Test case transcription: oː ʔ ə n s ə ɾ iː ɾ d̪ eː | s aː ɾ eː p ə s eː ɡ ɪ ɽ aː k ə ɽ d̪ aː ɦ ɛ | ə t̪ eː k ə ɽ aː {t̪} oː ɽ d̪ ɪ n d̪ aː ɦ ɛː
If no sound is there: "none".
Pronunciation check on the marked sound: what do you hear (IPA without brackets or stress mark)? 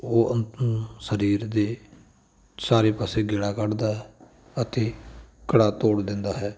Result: t̪